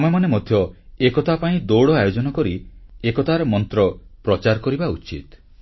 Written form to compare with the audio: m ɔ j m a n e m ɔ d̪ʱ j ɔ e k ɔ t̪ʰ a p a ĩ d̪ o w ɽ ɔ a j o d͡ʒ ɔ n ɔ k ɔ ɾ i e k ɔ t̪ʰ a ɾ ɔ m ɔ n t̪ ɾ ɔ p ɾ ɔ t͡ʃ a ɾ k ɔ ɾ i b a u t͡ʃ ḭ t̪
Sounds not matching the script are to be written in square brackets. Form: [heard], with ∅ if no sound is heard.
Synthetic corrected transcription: m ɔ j m a n e m ɔ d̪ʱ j ɔ e k ɔ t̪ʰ a p a ĩ d̪ o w ɽ ɔ a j o d͡ʒ ɔ n ɔ k ɔ ɾ i e k ɔ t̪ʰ a ɾ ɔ m ɔ n t̪ ɾ ɔ p ɾ ɔ t͡ʃ a ɾ k ɔ ɾ i b a u t͡ʃ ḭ t̪